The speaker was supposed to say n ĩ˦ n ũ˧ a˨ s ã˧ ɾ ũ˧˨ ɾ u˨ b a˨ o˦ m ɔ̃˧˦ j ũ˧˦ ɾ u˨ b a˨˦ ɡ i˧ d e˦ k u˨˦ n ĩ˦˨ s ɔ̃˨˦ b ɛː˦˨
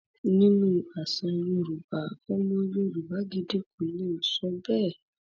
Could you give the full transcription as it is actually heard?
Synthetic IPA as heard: n ĩ˦ n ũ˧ a˨ s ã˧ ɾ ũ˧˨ ɾ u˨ b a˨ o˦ m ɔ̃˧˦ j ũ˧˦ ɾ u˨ b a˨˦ ɡ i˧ d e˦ k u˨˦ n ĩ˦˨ s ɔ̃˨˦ b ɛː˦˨